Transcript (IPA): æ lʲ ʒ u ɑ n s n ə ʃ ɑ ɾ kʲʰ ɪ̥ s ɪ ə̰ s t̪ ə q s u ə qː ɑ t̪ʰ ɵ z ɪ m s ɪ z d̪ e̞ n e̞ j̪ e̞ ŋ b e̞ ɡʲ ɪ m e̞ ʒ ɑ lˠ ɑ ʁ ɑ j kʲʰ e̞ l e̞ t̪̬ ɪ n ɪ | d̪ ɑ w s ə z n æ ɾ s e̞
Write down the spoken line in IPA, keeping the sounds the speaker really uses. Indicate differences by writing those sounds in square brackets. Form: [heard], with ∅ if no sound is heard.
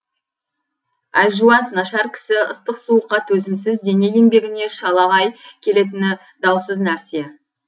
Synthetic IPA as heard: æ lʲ ʒ u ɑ n s n [ɑ] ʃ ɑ ɾ kʲʰ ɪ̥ s ɪ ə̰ s t̪ ə q s u ə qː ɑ t̪ʰ ɵ z ɪ m s ɪ z d̪ e̞ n e̞ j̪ e̞ ŋ b e̞ ɡʲ ɪ [n] e̞ [ʃ] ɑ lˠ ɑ ʁ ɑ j kʲʰ e̞ l e̞ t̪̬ ɪ n ɪ | d̪ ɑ w s ə z n æ ɾ s e̞